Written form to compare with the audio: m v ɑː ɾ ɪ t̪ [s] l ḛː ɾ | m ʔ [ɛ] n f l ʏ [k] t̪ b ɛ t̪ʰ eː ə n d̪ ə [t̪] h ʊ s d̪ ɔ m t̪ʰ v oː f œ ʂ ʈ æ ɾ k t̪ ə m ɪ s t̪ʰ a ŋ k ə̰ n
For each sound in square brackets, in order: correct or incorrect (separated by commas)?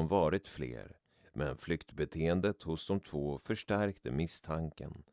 incorrect, correct, correct, correct